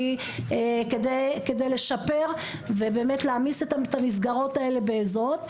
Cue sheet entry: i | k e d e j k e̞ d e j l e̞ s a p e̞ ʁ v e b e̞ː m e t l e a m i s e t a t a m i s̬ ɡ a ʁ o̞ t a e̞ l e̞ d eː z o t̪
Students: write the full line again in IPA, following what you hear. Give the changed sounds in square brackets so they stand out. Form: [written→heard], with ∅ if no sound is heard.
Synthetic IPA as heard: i | k e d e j k e̞ d e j l e̞ [s→ʃ] a p e̞ ʁ v e b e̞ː m e t l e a m i s e t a t a m i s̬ ɡ a ʁ o̞ t a e̞ l e̞ [d→b] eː z o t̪